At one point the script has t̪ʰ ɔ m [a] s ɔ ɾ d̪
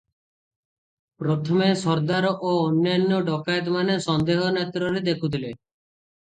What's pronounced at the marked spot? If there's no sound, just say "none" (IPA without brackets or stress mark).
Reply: e